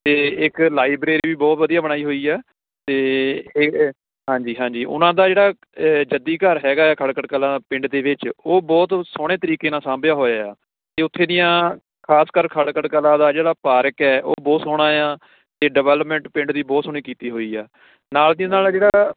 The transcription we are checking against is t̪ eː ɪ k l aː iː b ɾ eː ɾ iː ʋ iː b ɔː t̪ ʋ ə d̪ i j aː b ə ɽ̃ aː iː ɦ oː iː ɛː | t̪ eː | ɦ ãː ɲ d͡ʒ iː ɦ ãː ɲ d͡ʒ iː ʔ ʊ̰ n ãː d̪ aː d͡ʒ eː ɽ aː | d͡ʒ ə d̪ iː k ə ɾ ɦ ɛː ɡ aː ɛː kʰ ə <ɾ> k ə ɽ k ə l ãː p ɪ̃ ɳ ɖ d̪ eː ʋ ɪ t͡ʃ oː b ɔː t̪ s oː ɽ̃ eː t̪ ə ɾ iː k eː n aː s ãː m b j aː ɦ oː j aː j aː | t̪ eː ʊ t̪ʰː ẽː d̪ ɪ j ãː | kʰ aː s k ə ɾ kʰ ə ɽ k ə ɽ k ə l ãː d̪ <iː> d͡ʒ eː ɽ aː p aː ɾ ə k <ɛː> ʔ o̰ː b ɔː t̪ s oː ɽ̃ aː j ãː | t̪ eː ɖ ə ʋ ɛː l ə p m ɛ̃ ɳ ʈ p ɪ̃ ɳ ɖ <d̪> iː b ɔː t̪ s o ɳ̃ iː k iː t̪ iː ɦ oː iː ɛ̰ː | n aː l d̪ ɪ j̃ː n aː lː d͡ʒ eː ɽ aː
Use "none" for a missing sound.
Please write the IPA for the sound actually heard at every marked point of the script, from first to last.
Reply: ɽ, aː, ɛː, d̪

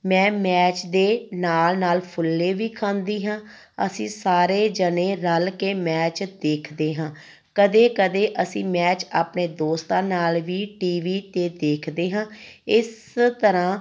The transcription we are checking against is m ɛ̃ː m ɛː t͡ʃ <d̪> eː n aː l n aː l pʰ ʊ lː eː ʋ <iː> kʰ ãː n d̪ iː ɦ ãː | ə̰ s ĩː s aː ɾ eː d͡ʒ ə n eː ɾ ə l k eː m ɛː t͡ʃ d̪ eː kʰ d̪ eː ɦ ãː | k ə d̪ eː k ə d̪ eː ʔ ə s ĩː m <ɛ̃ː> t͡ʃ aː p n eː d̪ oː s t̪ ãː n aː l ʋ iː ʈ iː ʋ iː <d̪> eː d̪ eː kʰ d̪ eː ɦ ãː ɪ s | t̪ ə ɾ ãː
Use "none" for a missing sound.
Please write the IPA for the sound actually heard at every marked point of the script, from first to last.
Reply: d̪, iː, ɛː, t̪

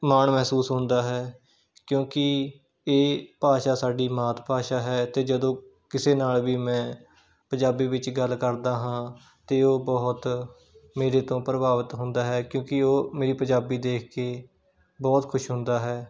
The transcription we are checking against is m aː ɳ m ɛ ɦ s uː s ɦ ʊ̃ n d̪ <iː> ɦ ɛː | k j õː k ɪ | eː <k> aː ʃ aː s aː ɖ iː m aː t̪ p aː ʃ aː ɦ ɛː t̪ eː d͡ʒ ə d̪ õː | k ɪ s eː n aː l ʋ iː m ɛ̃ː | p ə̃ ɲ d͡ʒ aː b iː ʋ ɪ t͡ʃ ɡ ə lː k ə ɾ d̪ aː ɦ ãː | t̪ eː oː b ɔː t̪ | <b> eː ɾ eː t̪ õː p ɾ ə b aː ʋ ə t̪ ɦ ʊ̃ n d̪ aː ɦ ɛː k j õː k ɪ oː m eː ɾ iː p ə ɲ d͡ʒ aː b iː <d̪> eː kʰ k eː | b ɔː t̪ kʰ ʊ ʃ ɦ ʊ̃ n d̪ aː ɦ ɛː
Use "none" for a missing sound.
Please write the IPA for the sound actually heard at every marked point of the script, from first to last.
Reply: aː, p, m, d̪

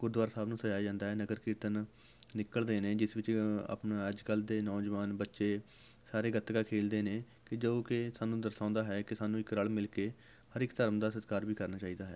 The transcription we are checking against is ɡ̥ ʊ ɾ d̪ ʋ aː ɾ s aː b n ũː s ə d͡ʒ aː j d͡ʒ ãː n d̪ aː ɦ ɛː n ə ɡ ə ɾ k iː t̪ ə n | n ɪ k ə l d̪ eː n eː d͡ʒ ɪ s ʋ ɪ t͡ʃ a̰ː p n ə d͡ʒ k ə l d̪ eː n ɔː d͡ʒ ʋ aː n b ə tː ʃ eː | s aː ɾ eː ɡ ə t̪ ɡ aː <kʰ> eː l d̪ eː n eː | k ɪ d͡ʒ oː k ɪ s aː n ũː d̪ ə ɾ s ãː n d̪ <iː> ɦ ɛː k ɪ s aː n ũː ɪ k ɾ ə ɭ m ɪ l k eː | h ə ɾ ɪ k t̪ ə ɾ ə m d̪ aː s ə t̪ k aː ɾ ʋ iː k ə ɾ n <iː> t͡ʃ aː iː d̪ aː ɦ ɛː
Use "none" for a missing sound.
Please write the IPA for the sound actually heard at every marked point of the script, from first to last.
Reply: kʰ, aː, aː

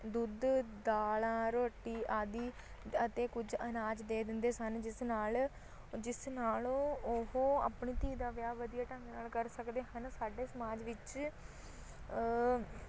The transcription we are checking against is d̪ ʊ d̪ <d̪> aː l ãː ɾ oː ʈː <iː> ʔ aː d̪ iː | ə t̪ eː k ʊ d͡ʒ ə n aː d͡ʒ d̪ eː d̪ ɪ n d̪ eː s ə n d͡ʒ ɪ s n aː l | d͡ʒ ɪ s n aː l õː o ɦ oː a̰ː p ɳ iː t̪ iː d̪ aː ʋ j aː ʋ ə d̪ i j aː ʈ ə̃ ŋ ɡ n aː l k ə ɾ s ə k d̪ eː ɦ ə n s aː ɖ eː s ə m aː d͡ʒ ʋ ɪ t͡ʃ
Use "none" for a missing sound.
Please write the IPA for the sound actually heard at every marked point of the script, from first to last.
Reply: d̪, iː

